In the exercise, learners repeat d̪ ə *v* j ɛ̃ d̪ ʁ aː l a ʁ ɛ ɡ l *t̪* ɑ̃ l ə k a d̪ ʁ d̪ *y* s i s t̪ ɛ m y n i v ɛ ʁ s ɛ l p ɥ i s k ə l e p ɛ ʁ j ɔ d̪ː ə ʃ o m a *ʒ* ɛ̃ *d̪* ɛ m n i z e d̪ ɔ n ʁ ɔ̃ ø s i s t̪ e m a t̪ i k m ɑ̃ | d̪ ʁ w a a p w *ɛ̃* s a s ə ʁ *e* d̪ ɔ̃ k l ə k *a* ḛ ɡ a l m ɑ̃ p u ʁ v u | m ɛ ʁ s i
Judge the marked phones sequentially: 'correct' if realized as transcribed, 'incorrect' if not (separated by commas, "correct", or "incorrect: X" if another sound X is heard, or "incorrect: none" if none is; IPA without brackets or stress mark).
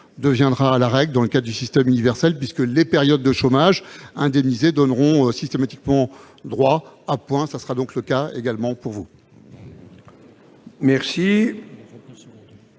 correct, incorrect: d̪, correct, correct, correct, correct, incorrect: a, correct